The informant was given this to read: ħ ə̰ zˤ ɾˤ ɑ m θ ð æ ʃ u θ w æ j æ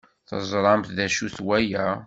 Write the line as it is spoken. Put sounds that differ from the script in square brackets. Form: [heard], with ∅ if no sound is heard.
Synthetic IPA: [θ] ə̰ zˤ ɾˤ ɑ m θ ð æ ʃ u θ w æ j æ